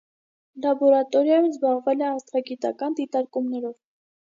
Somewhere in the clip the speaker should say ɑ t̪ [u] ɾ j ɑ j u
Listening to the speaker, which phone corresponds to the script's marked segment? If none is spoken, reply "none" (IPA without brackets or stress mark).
ɔ